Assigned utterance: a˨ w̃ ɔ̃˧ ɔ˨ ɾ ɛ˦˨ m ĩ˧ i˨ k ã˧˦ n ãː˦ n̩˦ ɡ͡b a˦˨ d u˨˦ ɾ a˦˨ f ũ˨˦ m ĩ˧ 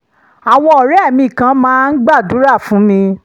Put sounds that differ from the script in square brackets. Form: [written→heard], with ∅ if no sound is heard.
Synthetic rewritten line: a˨ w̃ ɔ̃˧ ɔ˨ ɾ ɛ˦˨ m ĩ˧ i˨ k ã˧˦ [n→m] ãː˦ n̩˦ ɡ͡b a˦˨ d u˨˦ ɾ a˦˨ f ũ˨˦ m ĩ˧